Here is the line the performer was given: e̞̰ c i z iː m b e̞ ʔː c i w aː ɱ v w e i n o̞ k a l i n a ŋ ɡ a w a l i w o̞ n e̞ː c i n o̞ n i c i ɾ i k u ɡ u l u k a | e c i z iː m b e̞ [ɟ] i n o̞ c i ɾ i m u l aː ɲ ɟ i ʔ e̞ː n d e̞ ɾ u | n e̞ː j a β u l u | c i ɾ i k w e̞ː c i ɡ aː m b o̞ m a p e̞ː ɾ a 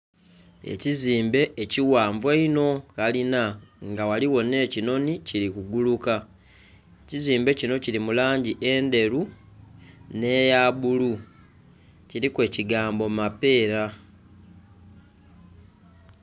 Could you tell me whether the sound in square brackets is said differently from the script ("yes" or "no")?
yes